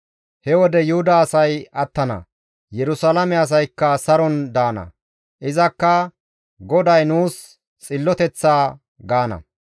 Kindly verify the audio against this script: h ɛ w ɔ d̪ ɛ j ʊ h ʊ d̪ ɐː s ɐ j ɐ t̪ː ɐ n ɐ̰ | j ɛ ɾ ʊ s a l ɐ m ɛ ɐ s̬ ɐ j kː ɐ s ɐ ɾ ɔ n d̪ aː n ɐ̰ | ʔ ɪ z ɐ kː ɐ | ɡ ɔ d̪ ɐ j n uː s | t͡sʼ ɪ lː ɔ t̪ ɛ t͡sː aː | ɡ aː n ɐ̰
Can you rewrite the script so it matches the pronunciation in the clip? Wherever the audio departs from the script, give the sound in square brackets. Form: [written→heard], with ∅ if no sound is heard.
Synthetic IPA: h ɛ w ɔ d̪ ɛ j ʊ h ʊ d̪ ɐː s ɐ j ɐ t̪ː ɐ n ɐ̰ | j ɛ ɾ ʊ s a l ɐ m ɛ ɐ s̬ ɐ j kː ɐ s ɐ ɾ ɔ n d̪ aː n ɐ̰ | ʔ ɪ z ɐ kː ɐ | ɡ ɔ d̪ ɐ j n uː s | t͡sʼ ɪ lː ɔ t̪ ɛ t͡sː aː | ɡ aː n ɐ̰